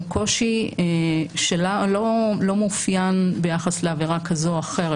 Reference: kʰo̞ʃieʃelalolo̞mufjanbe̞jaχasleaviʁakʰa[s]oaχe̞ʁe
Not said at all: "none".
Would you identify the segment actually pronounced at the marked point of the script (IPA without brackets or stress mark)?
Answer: z